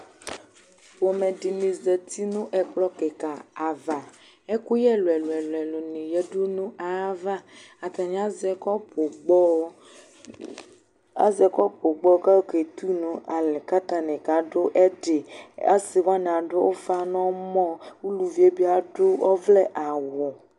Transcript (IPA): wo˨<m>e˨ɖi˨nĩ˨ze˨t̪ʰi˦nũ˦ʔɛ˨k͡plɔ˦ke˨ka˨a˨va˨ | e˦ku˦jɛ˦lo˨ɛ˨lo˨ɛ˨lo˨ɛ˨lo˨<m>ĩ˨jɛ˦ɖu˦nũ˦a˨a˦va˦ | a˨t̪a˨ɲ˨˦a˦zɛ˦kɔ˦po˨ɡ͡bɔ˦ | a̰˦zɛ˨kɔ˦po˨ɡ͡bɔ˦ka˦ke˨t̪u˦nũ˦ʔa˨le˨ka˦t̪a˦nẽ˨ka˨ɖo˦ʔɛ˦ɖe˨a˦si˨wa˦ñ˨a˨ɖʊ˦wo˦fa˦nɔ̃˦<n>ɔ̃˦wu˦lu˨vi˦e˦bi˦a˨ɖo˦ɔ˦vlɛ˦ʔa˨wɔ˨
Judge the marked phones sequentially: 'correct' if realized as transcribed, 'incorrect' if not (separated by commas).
correct, incorrect, incorrect